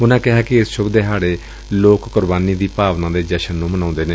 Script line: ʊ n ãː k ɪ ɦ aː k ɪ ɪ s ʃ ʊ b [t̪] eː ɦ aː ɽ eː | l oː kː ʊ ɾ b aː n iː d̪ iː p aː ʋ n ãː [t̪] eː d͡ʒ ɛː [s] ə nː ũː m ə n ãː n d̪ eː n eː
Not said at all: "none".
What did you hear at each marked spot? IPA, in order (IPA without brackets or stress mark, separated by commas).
d̪, d̪, ʃ